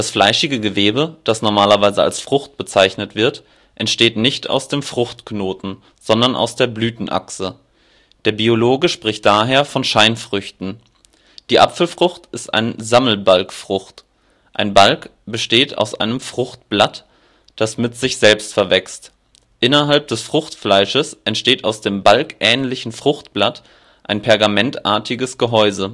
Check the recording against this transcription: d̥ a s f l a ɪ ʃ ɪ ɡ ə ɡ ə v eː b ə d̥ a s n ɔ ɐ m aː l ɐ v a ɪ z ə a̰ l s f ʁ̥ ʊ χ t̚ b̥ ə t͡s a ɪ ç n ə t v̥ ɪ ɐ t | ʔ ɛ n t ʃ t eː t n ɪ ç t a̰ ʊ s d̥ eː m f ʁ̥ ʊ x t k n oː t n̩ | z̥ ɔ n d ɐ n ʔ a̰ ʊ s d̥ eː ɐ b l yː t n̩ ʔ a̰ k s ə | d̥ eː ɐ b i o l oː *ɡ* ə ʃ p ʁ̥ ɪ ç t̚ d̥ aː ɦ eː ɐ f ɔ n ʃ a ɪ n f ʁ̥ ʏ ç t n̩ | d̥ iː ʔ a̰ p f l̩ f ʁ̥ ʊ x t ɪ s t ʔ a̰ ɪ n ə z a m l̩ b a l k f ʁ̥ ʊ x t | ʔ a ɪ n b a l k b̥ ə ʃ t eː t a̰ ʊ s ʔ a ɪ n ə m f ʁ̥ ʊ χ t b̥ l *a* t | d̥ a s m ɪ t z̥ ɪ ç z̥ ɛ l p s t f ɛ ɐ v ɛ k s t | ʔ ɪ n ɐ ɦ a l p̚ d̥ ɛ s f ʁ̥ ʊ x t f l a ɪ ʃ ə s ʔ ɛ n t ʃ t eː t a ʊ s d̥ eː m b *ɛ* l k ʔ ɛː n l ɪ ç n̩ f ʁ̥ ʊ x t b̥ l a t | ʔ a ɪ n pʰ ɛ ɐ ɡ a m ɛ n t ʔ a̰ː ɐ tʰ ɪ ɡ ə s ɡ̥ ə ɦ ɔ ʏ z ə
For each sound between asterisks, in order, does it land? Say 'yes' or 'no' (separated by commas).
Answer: yes, yes, no